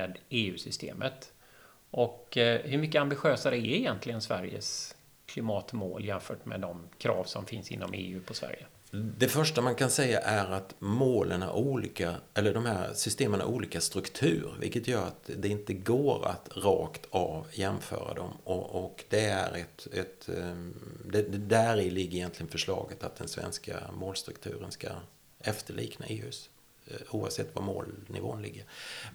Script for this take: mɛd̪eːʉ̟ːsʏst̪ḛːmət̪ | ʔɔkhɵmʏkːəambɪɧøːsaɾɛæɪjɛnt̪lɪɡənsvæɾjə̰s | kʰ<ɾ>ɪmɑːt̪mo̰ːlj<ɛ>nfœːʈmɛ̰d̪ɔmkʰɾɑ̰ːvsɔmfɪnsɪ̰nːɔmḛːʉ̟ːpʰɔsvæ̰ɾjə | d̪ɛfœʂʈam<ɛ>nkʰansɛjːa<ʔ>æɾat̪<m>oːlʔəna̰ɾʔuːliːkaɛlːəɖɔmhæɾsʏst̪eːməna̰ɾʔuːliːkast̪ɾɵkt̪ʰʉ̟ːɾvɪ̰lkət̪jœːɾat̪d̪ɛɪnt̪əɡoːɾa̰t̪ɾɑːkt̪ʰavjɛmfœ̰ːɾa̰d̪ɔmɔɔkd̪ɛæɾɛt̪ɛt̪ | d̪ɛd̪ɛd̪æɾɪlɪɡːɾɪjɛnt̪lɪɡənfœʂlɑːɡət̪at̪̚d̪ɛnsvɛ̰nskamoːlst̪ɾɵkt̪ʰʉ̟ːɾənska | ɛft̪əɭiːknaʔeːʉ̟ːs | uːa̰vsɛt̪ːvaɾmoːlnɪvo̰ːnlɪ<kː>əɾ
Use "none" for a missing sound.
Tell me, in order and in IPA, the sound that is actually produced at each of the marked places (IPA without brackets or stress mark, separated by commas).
l, ɛ, a, ʔ, m, ɡː